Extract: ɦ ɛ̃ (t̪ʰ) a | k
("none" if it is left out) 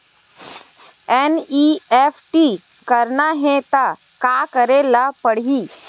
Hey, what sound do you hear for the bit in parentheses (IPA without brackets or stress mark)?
t̪